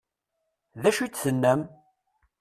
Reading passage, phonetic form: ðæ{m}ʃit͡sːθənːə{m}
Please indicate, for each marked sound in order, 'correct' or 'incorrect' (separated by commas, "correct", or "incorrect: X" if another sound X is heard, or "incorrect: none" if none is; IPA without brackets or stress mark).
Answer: incorrect: none, correct